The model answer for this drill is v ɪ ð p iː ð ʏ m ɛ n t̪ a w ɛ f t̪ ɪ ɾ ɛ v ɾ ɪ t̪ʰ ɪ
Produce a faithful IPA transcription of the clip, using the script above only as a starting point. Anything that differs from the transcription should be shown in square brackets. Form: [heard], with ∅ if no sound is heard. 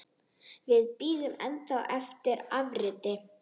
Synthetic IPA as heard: v ɪ ð p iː ð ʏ m ɛ n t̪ a w ɛ f t̪ ɪ ɾ [a] v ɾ ɪ [t̪] ɪ